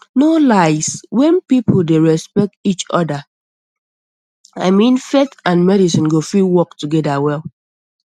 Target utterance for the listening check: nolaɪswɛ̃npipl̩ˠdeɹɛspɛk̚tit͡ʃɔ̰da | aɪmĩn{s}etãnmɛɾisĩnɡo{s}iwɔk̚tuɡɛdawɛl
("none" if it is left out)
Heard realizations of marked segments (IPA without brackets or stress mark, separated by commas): f, f